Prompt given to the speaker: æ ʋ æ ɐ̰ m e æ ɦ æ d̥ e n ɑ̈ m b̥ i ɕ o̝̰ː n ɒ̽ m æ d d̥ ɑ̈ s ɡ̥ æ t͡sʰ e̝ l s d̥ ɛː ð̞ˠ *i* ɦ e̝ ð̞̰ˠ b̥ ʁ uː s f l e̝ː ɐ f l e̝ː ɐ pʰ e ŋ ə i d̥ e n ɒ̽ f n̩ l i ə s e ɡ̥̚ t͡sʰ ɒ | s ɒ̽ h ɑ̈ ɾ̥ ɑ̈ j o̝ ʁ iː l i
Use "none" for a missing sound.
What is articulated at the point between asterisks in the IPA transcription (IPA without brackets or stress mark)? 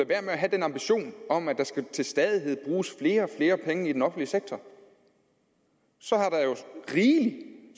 i